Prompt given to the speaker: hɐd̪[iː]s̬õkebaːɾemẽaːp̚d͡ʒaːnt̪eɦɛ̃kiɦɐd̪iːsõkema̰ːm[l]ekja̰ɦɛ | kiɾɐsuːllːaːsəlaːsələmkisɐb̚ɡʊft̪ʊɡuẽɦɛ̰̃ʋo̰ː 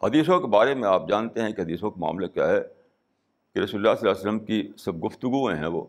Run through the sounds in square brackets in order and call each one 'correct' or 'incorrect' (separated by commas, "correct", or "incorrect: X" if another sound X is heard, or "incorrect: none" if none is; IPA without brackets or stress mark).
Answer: correct, correct